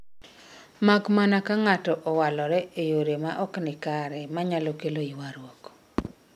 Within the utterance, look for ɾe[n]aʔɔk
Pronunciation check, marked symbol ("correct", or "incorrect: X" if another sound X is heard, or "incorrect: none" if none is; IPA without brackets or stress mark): incorrect: m